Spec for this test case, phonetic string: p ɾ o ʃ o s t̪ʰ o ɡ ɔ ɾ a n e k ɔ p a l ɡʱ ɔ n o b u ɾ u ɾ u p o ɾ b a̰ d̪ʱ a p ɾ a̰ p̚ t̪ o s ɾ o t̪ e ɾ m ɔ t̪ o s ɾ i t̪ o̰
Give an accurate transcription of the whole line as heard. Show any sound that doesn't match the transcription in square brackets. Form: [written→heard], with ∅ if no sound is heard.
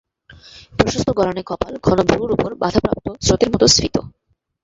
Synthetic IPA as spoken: p ɾ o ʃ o s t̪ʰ o ɡ ɔ ɾ a n e k ɔ p a l ɡʱ ɔ n o b u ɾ u ɾ u p o ɾ b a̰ d̪ʱ a p ɾ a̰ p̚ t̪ o s ɾ o t̪ e ɾ m ɔ t̪ o s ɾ i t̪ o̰